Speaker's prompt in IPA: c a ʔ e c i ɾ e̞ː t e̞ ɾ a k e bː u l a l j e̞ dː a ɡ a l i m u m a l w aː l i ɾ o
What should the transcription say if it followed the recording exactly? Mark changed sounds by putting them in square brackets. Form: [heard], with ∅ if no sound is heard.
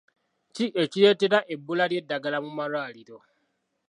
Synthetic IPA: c [i] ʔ e c i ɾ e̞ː t e̞ ɾ a [ʔ] e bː u l a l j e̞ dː a ɡ a l [a] m u m a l w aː l i ɾ o